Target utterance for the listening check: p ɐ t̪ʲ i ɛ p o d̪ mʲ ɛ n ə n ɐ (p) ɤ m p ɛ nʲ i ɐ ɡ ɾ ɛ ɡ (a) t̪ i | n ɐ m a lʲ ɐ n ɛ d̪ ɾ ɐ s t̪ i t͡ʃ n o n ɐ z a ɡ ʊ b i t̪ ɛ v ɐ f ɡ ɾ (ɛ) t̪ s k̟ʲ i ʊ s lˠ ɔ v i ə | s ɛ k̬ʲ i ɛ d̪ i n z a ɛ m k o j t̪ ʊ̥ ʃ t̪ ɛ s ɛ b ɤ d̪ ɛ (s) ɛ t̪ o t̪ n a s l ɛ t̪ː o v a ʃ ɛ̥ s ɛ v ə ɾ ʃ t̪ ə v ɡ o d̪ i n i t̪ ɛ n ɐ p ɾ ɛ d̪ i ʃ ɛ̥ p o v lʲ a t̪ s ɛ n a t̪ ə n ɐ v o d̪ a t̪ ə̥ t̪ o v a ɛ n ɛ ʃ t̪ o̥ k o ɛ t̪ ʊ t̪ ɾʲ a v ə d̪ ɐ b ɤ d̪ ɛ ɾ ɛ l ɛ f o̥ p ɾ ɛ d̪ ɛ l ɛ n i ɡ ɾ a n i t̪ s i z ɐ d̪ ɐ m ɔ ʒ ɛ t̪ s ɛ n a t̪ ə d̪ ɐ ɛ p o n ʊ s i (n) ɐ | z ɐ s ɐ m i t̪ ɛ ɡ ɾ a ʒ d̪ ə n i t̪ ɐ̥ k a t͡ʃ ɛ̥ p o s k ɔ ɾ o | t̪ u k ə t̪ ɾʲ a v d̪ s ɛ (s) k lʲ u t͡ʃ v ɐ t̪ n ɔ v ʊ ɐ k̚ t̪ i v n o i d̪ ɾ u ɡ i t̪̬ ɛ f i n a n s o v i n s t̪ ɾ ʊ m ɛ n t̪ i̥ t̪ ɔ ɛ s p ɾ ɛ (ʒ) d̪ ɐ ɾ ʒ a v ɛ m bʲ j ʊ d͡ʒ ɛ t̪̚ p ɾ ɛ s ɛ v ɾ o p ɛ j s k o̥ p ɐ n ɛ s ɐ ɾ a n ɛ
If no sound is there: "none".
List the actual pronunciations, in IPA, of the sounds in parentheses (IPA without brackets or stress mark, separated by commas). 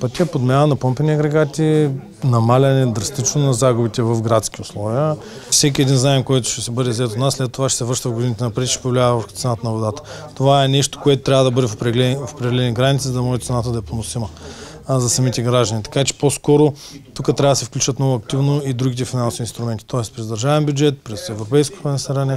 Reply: p, a, a, z, m, f, z